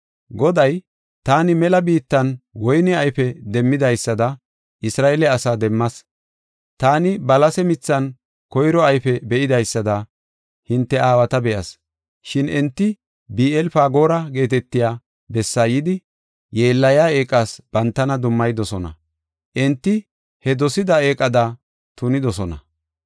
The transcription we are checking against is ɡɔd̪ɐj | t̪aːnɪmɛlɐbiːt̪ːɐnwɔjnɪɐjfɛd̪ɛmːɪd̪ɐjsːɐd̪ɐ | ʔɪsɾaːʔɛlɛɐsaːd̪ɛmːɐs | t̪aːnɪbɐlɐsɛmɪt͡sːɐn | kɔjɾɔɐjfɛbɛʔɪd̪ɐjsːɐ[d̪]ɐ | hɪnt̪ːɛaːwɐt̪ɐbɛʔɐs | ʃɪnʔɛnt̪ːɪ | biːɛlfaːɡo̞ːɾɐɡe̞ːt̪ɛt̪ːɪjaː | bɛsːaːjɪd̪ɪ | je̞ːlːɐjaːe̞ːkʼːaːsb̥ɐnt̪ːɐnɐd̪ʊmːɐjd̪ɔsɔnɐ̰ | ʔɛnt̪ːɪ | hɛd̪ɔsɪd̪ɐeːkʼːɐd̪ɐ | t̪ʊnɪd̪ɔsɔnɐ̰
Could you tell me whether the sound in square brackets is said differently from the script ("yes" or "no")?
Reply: no